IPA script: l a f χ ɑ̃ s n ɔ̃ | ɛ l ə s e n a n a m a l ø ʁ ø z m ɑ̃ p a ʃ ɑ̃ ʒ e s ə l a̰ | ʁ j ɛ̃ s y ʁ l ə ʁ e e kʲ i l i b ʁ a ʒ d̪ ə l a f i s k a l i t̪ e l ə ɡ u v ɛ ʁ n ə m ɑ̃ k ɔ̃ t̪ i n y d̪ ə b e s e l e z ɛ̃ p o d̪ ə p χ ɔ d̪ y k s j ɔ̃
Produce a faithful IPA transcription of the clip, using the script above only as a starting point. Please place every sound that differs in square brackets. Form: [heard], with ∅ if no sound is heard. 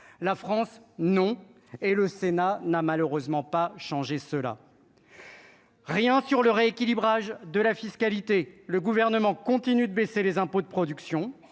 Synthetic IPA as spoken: l a f χ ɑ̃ s n ɔ̃ | [e] l ə s e n a n a m a l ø ʁ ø z m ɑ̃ p a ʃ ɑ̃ ʒ e s ə l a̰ | ʁ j ɛ̃ s y ʁ l ə ʁ e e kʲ i l i b ʁ a ʒ d̪ ə l a f i s k a l i t̪ e l ə ɡ u v ɛ ʁ n ə m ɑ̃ k ɔ̃ t̪ i n y d̪ ə b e s e l e z ɛ̃ p o d̪ ə p χ ɔ d̪ y k s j ɔ̃